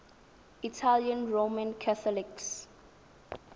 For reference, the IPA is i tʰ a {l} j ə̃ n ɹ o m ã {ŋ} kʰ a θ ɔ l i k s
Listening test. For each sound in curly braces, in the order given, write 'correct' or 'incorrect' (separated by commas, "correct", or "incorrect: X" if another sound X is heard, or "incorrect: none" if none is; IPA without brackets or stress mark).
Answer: correct, incorrect: n